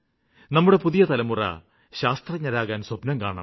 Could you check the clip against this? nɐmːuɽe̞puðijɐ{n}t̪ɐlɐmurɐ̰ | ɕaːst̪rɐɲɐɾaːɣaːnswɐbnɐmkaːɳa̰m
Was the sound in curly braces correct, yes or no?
no